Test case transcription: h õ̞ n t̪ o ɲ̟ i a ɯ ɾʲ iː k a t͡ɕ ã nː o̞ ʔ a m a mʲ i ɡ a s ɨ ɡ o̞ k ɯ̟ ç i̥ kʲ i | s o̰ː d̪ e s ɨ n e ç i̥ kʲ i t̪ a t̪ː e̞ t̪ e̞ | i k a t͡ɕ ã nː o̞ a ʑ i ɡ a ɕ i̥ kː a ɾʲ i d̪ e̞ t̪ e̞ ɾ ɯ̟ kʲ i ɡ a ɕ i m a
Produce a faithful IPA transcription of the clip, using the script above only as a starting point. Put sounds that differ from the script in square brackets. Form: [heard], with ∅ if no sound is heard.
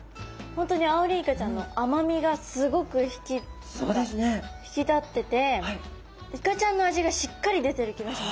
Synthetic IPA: h õ̞ n t̪ o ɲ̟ i a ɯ ɾʲ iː k a t͡ɕ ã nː o̞ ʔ a m a mʲ i ɡ a s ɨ ɡ o̞ k ɯ̟ ç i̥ kʲ i | s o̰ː d̪ e s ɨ n e ç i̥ kʲ i t̪ a t̪ː e̞ t̪ e̞ | i k a t͡ɕ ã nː o̞ a ʑ i ɡ a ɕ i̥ kː a ɾʲ i d̪ e̞ t̪ e̞ ɾ ɯ̟ kʲ i ɡ a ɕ i m a